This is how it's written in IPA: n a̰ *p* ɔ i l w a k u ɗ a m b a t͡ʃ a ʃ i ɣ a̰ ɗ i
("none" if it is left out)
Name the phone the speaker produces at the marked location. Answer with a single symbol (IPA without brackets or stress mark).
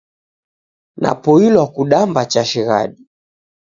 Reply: p